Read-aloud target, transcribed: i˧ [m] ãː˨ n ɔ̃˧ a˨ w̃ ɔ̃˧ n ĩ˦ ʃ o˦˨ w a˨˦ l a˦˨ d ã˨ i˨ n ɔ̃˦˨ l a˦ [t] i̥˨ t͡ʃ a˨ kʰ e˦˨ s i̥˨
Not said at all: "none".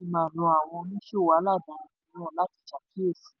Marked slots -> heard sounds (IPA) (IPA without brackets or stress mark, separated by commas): m, t